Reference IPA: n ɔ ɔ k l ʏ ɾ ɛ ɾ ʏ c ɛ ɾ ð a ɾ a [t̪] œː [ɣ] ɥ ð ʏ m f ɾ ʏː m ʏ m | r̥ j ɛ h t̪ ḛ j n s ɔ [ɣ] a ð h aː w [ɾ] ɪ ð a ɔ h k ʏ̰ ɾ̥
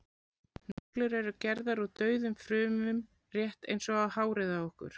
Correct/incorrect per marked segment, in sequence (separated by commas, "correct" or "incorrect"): correct, incorrect, correct, correct